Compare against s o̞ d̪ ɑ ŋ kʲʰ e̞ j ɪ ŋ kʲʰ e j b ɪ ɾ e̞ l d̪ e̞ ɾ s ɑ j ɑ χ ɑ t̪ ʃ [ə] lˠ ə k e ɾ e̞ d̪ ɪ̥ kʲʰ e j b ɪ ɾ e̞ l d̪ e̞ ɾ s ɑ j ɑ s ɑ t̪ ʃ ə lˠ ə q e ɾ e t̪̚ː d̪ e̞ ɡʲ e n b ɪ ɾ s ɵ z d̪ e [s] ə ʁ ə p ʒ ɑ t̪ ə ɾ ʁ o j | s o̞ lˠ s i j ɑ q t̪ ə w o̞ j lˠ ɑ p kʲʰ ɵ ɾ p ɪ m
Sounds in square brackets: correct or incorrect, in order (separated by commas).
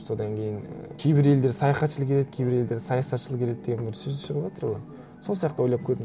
correct, incorrect